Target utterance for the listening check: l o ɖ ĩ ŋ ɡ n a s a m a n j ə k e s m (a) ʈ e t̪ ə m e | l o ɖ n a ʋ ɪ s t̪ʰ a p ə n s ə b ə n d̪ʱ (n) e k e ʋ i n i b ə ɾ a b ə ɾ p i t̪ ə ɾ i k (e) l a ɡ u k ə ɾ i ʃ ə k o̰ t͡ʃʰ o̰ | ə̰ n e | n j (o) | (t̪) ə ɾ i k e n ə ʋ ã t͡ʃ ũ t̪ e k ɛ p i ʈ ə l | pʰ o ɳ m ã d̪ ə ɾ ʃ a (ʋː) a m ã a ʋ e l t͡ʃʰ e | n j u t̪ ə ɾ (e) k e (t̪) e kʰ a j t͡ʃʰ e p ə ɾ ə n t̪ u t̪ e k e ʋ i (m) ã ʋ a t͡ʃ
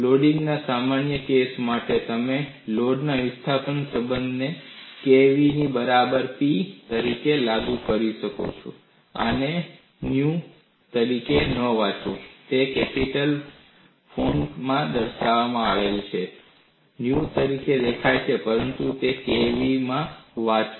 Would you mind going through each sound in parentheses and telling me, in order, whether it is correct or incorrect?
correct, correct, correct, incorrect: u, correct, incorrect: ʋ, incorrect: i, incorrect: d̪, correct

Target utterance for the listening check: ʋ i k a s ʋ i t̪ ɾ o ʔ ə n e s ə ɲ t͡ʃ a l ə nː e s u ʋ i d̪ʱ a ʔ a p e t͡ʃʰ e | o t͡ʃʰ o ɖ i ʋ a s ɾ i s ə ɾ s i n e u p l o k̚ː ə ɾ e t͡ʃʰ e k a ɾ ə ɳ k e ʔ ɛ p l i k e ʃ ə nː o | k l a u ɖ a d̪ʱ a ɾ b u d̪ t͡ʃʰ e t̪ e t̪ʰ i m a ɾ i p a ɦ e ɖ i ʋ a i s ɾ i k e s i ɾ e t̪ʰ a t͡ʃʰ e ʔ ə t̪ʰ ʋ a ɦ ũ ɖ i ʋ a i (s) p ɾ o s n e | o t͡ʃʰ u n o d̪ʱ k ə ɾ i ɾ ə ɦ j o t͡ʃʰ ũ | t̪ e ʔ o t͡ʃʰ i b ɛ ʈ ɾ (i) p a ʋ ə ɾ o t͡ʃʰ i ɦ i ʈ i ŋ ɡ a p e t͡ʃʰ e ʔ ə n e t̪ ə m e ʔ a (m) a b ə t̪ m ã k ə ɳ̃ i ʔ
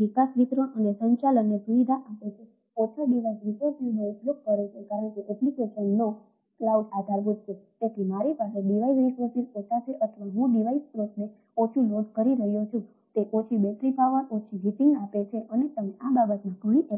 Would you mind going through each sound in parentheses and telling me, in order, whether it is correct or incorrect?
correct, correct, incorrect: b

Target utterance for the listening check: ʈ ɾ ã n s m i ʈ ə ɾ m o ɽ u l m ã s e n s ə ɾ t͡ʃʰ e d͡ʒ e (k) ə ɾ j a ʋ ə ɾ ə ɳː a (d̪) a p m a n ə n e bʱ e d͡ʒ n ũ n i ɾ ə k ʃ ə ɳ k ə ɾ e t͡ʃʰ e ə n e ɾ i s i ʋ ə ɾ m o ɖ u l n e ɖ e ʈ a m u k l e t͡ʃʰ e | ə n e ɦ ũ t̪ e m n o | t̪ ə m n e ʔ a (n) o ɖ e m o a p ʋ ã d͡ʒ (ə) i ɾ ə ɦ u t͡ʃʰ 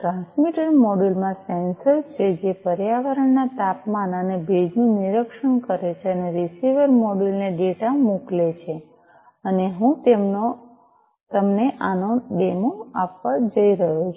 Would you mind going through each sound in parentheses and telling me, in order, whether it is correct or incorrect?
incorrect: p, incorrect: t̪, correct, correct

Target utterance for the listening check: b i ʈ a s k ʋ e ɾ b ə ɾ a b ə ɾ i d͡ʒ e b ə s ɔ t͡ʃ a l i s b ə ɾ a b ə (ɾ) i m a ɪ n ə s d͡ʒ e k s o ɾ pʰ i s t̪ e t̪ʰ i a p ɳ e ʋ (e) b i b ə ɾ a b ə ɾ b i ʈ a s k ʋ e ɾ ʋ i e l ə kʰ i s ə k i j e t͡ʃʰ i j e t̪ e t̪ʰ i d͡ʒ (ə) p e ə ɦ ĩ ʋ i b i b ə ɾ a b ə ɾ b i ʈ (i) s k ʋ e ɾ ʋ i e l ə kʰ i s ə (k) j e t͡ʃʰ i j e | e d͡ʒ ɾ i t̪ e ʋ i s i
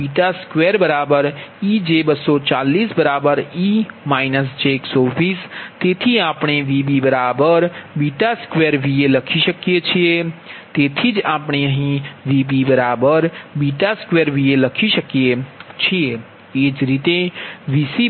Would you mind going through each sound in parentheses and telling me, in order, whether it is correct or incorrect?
correct, incorrect: i, incorrect: a, incorrect: a, correct

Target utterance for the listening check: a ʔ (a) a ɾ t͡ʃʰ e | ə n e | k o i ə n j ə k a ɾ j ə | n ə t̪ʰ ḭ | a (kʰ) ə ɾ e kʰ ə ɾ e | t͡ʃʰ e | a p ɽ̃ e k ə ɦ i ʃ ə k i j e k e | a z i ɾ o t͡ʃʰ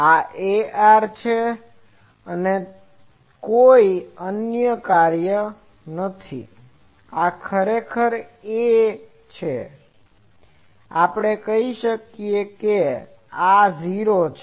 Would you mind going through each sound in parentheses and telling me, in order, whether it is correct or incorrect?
incorrect: e, correct

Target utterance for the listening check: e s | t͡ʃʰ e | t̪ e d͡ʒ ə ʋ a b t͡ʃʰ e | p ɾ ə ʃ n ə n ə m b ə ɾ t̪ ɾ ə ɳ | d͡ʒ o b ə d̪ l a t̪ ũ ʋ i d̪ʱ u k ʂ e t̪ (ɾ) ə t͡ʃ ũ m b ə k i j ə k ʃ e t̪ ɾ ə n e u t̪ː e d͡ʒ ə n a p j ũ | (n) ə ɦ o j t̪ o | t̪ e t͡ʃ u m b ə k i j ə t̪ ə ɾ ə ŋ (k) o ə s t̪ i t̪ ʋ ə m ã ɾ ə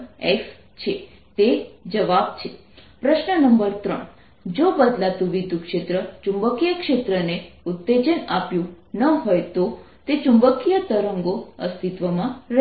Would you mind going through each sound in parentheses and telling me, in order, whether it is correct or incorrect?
correct, correct, incorrect: ɡ

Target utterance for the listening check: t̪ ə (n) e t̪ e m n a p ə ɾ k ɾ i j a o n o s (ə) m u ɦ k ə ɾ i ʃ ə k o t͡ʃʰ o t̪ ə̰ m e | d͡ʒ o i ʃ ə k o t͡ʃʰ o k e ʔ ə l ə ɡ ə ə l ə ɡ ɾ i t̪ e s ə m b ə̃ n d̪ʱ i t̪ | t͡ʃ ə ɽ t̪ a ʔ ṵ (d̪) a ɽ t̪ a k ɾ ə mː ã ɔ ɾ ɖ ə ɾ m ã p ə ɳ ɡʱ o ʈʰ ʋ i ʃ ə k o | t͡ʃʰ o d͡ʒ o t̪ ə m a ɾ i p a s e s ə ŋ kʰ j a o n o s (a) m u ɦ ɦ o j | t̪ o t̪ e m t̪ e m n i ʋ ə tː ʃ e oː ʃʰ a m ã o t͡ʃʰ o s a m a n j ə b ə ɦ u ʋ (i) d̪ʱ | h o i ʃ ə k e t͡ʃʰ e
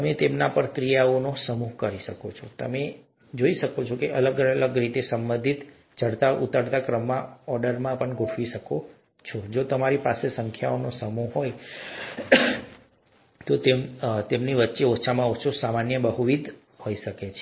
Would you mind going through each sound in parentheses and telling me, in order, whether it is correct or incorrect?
incorrect: m, correct, incorrect: t̪, incorrect: ə, correct

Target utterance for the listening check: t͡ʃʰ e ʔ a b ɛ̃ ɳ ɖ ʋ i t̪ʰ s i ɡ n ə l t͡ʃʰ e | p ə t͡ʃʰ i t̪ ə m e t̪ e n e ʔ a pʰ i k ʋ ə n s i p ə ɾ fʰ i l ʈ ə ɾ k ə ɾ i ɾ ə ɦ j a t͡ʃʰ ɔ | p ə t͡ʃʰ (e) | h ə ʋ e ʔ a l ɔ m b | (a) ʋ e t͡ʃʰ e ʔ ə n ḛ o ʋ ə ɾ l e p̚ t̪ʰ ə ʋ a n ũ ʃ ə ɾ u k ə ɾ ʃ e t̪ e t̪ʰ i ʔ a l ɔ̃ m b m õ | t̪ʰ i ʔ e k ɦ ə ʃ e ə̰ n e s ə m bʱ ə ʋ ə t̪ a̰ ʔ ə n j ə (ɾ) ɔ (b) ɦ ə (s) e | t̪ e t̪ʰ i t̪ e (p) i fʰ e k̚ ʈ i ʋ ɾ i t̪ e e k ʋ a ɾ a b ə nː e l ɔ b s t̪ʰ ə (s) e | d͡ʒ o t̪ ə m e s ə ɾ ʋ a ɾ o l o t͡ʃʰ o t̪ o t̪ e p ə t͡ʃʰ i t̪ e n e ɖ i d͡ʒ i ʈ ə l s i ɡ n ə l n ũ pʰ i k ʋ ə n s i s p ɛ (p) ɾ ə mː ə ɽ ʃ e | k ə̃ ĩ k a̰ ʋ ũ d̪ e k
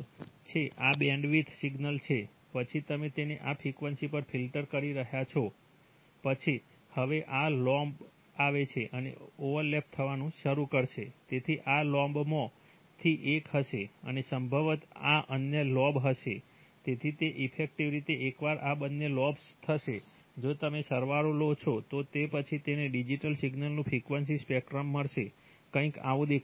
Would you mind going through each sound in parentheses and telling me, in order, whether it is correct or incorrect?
incorrect: i, correct, incorrect: l, correct, incorrect: ʃ, incorrect: ʔ, incorrect: ʃ, incorrect: k

